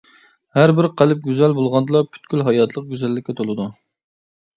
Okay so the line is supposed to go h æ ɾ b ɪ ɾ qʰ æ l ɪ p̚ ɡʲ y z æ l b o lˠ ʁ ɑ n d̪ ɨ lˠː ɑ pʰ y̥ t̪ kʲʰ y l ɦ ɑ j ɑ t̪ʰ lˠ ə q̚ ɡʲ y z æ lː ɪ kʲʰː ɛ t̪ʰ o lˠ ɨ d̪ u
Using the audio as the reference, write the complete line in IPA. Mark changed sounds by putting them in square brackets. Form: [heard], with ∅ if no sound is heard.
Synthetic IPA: h æ ɾ b ɪ ɾ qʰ æ l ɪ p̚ ɡʲ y z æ l b o lˠ ʁ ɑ n d̪ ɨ [lˠ] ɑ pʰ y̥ t̪ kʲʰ y l ɦ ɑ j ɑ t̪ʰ lˠ ə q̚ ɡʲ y z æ lː ɪ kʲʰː ɛ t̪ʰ o lˠ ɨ d̪ u